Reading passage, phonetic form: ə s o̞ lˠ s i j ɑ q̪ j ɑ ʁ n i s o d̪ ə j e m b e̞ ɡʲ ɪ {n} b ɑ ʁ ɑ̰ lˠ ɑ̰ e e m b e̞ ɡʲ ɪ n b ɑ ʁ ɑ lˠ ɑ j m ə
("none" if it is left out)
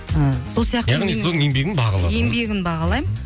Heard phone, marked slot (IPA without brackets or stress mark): n